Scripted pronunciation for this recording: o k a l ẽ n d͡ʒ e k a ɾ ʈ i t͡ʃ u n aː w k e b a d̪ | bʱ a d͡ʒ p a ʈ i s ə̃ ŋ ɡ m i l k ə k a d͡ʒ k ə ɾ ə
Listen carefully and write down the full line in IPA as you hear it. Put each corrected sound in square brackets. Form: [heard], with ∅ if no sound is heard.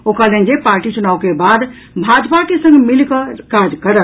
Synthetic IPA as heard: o k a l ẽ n d͡ʒ e [p] a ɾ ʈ i t͡ʃ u n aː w k e b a d̪ | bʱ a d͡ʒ p a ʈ i s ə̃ ŋ ɡ m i l k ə k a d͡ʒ k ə ɾ ə

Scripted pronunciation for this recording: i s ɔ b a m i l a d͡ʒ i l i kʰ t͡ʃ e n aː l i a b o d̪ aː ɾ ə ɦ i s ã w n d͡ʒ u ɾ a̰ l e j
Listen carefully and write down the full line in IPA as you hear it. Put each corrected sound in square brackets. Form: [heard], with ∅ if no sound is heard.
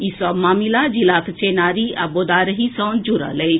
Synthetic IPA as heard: i s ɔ [m] a m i l a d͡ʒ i l [a] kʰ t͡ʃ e n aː [ɾ] i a b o d̪ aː ɾ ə ɦ i s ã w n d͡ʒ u ɾ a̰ l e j

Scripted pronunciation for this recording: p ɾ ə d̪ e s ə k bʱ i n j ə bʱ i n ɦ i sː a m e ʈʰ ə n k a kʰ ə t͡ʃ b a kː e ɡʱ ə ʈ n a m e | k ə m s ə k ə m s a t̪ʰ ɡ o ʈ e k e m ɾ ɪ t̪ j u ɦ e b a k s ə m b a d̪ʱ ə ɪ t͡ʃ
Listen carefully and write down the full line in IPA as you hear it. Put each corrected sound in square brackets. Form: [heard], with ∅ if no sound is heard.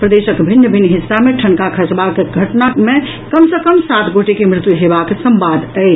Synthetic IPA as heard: p ɾ ə d̪ e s ə k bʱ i n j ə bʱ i n ɦ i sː a m e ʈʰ ə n k a kʰ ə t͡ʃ b a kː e ɡʱ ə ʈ n a m e | k ə m s ə k ə m s a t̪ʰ ɡ o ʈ e k e m ɾ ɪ t̪ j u ɦ e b a k s ə m b a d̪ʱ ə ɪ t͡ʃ

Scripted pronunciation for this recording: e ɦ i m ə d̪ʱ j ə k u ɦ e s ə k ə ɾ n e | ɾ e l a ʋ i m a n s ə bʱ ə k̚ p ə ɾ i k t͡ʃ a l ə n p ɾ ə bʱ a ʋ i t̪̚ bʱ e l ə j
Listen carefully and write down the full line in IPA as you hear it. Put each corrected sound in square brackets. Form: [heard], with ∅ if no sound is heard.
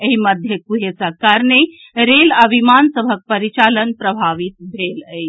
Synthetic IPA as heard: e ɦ i m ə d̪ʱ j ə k u ɦ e s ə k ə ɾ n e | ɾ e l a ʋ i m a n s ə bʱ ə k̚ p ə ɾ i [∅] t͡ʃ a l ə n p ɾ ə bʱ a ʋ i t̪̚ bʱ e l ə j

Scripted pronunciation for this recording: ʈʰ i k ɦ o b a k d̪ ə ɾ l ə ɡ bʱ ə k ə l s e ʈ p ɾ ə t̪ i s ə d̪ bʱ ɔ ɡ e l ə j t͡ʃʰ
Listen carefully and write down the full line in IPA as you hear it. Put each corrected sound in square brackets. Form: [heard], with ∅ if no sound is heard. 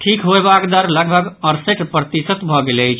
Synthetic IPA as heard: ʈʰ i k ɦ o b a k d̪ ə ɾ l ə ɡ bʱ ə [ɡ] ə [ɾ] s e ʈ p ɾ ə t̪ i s ə [t̪] bʱ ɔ ɡ e l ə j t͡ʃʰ

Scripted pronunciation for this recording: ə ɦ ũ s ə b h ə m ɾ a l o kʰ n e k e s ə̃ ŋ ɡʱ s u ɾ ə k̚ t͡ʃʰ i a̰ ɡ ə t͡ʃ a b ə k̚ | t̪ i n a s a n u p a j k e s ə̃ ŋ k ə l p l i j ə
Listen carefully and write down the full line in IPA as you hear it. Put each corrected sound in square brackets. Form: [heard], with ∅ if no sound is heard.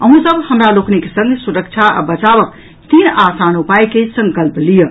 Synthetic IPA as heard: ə ɦ ũ s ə b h ə m ɾ a l o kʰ n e k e s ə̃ ŋ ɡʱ s u ɾ ə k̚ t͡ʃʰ [a] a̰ [b] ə t͡ʃ a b ə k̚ | t̪ i n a s a n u p a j k e s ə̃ ŋ k ə l p l i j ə

